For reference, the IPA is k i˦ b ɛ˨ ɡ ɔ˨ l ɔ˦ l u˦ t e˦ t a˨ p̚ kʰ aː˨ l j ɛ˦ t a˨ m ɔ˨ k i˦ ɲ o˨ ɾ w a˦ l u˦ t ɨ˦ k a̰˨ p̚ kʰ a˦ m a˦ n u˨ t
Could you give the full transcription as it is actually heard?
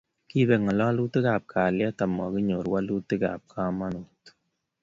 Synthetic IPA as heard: k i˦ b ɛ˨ ŋ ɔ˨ l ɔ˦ l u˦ t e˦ k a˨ p̚ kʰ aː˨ l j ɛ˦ t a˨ m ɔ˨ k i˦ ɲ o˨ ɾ w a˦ l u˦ t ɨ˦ k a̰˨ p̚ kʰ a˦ m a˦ n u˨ t